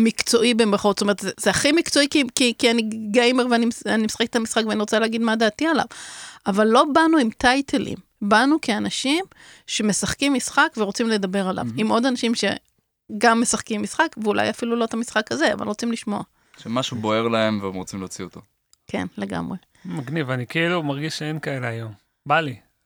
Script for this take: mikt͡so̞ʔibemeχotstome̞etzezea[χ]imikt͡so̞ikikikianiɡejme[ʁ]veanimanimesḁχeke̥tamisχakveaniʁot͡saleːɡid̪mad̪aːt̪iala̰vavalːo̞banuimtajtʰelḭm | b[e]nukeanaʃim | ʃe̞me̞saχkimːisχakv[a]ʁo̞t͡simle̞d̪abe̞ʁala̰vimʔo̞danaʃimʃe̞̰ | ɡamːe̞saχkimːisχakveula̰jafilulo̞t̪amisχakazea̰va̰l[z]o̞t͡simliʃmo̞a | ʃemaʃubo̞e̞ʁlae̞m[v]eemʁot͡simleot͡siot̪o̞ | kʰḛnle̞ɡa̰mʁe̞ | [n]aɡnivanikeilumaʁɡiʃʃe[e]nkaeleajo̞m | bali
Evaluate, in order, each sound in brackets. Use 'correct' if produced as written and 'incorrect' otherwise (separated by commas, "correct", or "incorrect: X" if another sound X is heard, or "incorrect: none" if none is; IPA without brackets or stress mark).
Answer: correct, correct, incorrect: a, incorrect: e, incorrect: ʁ, correct, incorrect: m, correct